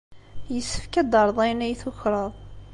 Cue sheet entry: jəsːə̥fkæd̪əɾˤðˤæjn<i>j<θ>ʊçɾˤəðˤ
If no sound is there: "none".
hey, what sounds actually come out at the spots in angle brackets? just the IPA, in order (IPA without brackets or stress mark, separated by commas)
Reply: æ, θ